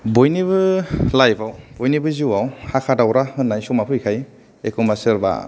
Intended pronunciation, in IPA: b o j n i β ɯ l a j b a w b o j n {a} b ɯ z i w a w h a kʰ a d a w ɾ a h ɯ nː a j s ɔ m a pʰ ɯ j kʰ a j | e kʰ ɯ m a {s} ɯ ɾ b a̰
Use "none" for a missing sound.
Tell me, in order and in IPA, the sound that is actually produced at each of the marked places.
i, s

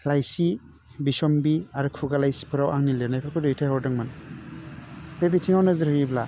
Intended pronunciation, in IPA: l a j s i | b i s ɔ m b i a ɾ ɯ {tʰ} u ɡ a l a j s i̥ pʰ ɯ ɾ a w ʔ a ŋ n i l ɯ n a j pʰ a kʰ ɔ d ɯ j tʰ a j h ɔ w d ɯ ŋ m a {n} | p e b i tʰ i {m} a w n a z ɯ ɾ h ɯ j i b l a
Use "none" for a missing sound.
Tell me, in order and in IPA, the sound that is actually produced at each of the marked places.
kʰ, n, ŋ

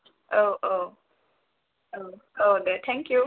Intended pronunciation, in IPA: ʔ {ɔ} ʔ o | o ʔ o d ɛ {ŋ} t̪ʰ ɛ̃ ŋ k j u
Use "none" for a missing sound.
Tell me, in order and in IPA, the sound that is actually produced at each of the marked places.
o, none

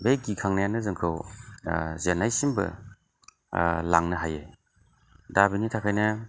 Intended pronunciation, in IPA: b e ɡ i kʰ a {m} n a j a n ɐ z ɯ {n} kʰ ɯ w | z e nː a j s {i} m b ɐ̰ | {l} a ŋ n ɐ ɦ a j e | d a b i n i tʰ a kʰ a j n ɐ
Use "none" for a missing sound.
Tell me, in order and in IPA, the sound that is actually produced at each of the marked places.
ŋ, ŋ, i, l

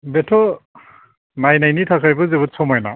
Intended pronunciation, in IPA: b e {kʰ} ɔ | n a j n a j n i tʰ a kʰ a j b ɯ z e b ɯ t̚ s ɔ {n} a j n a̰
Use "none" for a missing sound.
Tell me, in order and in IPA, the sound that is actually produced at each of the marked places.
tʰ, m

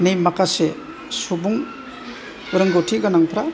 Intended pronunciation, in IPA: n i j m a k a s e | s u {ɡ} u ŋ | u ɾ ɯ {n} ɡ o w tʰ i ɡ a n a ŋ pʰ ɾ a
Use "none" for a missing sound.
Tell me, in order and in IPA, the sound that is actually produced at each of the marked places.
b, ŋ

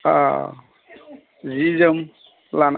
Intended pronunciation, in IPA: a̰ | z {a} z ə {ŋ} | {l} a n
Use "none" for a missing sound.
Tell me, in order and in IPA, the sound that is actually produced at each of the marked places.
i, m, l

